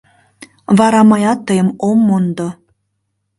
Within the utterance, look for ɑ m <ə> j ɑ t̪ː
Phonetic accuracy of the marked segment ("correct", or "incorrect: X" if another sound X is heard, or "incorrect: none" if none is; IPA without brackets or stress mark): incorrect: ɑ